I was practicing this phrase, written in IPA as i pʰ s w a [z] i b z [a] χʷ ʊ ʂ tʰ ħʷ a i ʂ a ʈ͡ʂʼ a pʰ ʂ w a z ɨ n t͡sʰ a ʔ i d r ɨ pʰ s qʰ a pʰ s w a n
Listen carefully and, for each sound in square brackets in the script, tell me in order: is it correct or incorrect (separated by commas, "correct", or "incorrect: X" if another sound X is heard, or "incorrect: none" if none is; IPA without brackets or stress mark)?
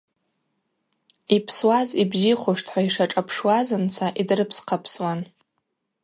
correct, incorrect: i